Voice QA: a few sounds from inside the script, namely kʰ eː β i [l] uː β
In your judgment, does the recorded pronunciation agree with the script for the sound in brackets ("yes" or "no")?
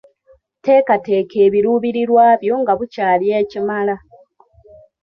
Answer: no